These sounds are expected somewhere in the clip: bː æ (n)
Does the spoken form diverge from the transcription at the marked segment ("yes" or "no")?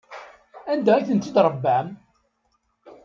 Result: yes